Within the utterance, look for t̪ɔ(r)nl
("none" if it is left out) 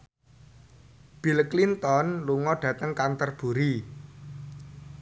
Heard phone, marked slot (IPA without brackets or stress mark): none